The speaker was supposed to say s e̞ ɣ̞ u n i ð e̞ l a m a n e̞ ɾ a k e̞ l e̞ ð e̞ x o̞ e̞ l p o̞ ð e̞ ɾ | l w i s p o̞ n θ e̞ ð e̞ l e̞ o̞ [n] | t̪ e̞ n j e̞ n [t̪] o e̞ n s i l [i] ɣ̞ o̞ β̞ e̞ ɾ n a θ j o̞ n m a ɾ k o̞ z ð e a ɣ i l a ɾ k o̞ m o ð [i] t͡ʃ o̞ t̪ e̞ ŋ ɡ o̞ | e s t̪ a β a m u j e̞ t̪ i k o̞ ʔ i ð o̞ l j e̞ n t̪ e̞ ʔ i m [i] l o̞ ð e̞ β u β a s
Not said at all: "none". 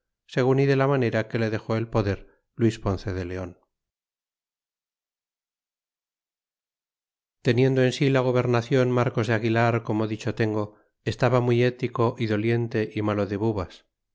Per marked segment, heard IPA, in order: n, d̪, a, i, a

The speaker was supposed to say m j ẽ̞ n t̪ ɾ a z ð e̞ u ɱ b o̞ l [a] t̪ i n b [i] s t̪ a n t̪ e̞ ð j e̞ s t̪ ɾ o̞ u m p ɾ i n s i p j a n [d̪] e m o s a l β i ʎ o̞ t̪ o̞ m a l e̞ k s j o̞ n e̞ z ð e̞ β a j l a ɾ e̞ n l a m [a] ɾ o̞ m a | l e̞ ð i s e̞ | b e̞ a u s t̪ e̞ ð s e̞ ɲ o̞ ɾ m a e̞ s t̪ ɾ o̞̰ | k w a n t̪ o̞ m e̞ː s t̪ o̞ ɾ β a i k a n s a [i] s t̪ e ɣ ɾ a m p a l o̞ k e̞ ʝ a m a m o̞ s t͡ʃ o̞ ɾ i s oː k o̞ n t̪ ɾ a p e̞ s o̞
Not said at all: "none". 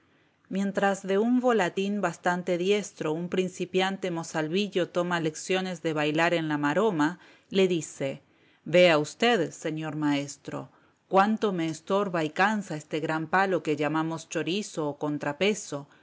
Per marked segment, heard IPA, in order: a, a, t̪, a, e

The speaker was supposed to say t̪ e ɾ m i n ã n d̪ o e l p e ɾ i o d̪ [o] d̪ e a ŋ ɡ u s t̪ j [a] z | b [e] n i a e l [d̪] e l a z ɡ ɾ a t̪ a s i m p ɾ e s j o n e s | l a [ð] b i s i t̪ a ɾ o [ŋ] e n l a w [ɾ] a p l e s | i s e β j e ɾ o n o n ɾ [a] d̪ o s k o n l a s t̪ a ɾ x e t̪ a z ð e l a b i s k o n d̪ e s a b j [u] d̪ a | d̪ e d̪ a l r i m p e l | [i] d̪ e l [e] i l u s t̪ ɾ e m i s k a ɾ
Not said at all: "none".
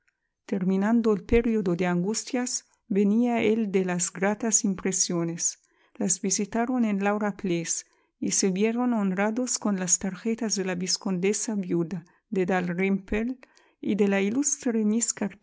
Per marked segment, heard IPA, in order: o, a, e, d̪, z, n, ɾ, a, u, i, a

